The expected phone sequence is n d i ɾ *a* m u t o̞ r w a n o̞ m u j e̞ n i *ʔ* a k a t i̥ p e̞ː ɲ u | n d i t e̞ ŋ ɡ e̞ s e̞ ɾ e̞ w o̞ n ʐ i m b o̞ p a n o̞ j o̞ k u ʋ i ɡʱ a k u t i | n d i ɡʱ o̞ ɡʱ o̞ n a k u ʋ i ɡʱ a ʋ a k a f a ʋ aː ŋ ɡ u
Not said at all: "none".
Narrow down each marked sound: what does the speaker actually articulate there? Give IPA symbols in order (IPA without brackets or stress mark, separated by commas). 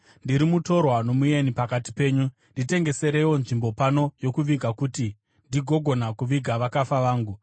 i, p